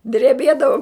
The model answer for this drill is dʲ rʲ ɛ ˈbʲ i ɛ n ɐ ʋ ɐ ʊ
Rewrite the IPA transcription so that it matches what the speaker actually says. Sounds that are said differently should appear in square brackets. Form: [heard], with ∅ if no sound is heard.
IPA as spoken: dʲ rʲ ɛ ˈbʲ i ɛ [d] ɐ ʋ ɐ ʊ